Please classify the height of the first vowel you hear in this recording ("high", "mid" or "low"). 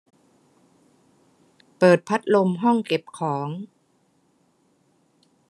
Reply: mid